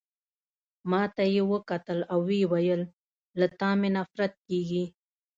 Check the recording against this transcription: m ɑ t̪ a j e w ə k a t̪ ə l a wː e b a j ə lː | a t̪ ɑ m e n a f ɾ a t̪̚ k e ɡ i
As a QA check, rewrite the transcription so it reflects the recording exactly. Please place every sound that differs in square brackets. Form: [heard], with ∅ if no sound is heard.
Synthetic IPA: m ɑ t̪ a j e w ə k a t̪ ə l a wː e [w] a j ə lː | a t̪ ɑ m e n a f ɾ a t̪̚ k e ɡ i